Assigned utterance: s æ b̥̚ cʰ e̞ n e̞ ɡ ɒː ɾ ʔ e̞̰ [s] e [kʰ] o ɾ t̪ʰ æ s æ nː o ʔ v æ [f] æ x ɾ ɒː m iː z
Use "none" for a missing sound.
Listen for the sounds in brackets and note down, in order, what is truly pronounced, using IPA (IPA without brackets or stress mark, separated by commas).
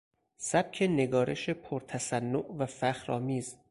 ʃ, pʰ, f